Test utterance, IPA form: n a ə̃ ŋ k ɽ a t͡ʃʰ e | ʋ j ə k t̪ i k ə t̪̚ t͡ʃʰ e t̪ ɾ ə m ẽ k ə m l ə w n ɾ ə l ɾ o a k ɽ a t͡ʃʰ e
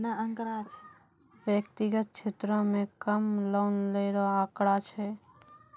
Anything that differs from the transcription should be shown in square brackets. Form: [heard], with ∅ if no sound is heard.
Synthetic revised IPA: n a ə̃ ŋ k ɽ a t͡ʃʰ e | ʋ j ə k t̪ i [ɡ] ə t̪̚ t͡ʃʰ e t̪ ɾ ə m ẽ k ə m l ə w n [l] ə [∅] ɾ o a k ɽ a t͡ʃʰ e

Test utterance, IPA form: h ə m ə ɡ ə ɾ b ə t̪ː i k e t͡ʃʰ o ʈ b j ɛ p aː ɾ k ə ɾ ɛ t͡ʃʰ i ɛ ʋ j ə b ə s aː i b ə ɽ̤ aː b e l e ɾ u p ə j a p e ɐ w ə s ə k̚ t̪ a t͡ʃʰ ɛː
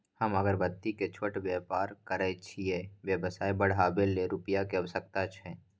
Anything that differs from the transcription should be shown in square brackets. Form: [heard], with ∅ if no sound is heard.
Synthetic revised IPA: h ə m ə ɡ ə ɾ b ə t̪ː i k e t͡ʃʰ o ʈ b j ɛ p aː ɾ k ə ɾ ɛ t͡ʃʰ i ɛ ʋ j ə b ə s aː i b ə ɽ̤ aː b e l e ɾ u p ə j a [k] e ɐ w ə s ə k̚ t̪ a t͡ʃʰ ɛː

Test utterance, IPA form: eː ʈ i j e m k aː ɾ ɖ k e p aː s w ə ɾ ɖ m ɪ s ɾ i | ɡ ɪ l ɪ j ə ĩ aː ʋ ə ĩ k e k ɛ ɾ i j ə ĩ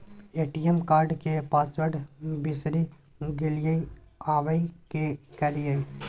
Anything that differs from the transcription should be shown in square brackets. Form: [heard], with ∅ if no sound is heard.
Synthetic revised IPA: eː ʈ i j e m k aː ɾ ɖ k e p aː s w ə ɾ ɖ [b] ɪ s ɾ i | ɡ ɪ l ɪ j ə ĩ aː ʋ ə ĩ k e k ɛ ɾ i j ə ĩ

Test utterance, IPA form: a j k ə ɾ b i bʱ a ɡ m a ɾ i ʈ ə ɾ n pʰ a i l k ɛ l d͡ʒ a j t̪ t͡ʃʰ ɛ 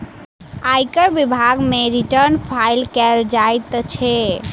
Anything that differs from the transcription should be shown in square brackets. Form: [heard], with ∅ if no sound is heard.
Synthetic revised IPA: a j k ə ɾ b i bʱ a ɡ m [e] ɾ i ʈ ə ɾ n pʰ a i l k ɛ l d͡ʒ a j t̪ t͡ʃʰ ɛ

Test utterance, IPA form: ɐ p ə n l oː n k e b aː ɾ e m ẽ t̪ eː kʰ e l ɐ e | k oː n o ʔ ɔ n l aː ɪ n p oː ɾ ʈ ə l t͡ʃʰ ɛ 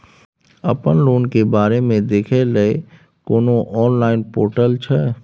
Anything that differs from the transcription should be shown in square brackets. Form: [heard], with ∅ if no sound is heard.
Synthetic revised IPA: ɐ p ə n l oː n k e b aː ɾ e m ẽ [d̪] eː kʰ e l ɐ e | k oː n o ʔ [ɔː] n l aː ɪ n p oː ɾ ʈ ə l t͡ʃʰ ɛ

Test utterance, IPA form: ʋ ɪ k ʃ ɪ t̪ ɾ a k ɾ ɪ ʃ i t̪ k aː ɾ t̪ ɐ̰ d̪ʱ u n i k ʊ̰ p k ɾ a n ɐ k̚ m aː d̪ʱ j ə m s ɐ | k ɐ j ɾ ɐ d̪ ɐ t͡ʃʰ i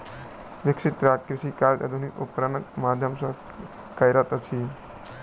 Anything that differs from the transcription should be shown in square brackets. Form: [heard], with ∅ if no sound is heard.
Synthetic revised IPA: ʋ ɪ k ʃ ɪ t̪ ɾ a k ɾ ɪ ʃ i [∅] k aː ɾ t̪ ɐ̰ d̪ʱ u n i k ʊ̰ p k ɾ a n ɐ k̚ m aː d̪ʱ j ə m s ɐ | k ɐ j ɾ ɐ [t̪] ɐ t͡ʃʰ i

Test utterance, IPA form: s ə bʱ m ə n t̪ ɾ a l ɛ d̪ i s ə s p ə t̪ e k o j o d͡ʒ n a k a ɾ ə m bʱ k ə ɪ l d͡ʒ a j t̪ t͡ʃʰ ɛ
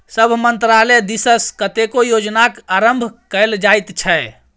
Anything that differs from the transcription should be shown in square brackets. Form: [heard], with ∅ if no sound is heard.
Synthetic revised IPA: s ə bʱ m ə n t̪ ɾ a l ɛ d̪ i s ə s [k] ə t̪ e k o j o d͡ʒ n a k a ɾ ə m bʱ k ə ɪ l d͡ʒ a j t̪ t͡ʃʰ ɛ

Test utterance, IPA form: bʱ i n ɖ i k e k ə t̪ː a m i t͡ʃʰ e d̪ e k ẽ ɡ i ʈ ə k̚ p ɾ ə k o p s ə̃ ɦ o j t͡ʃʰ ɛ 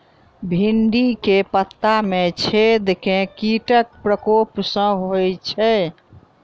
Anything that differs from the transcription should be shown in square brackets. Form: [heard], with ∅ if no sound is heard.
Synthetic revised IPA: bʱ i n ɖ i k e [p] ə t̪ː a m [e] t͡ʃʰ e d̪ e k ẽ [k] i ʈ ə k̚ p ɾ ə k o p s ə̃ ɦ o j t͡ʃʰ ɛ

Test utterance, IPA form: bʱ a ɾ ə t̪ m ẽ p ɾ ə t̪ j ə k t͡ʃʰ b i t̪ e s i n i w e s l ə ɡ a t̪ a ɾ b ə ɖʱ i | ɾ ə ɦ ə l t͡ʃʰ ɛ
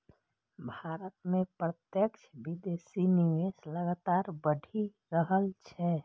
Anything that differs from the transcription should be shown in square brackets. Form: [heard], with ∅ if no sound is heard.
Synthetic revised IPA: bʱ a ɾ ə t̪ m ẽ p ɾ ə t̪ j ə k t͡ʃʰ b i [d̪] e s i n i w e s l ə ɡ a t̪ a ɾ b ə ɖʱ i | ɾ ə ɦ ə l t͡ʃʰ ɛ

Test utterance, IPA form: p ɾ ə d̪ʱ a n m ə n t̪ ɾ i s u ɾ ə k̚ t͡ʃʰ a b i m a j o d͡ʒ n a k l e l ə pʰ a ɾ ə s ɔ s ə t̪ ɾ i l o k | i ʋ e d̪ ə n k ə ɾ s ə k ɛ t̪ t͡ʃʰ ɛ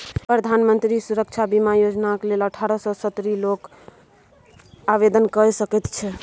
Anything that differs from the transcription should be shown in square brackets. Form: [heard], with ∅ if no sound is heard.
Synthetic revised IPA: p ɾ ə d̪ʱ a n m ə n t̪ ɾ i s u ɾ ə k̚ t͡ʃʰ a b i m a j o d͡ʒ n a k l e l ə [ʈʰ] a ɾ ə s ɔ s ə t̪ ɾ i l o k | [a] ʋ e d̪ ə n k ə ɾ s ə k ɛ t̪ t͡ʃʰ ɛ

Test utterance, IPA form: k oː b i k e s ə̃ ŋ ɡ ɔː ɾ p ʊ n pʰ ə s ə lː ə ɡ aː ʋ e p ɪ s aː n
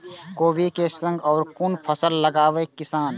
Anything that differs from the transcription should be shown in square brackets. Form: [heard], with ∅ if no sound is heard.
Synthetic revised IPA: k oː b i k e s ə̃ ŋ ɡ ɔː ɾ [k] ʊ n pʰ ə s ə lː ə ɡ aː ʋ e [k] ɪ s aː n

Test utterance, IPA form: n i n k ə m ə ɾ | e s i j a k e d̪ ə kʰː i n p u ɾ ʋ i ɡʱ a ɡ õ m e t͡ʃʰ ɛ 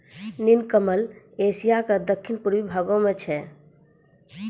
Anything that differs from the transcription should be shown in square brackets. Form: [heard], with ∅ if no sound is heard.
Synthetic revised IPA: n i n k ə m ə [l] | e s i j a k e d̪ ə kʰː i n p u ɾ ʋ i [bʱ] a ɡ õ m e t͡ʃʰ ɛ

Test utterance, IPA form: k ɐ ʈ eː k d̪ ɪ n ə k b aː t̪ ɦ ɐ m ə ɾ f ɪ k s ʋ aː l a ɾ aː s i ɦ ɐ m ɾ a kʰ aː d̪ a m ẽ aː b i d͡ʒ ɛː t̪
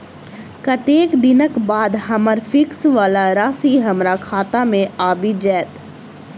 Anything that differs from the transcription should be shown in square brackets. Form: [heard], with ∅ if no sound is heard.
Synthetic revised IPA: k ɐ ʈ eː k d̪ ɪ n ə k b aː [d̪] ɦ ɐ m ə ɾ f ɪ k s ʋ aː l a ɾ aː s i ɦ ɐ m ɾ a kʰ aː [t̪] a m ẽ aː b i d͡ʒ ɛː t̪

